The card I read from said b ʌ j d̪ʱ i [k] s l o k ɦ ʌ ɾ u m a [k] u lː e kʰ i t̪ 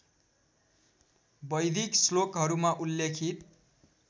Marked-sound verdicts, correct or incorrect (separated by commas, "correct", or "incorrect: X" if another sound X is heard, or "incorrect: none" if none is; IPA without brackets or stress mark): correct, incorrect: ʔ